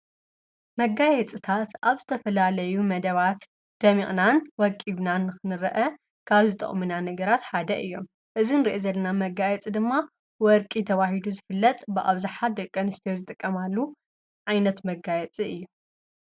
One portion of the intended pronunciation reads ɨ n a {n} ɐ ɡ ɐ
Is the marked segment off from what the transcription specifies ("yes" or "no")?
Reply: no